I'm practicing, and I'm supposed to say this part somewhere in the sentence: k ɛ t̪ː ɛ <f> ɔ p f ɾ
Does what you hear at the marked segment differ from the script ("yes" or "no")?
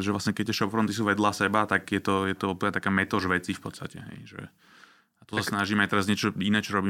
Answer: yes